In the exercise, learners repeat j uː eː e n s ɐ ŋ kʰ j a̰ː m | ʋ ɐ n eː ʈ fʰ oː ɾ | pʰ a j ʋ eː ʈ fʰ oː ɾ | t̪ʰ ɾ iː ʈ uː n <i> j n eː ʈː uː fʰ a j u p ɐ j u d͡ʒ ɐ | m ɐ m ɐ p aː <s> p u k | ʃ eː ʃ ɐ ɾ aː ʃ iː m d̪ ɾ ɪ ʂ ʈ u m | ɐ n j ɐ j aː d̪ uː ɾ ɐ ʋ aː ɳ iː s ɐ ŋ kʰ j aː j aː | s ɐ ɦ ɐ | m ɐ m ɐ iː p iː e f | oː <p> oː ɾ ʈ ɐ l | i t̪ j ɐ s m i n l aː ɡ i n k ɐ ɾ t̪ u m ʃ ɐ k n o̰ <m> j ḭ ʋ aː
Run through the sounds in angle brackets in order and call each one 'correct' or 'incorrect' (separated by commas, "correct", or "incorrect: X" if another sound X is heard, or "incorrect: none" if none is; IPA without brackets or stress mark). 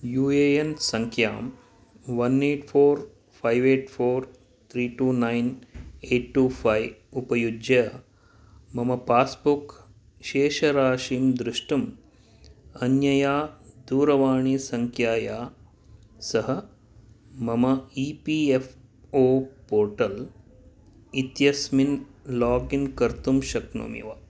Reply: incorrect: a, correct, correct, correct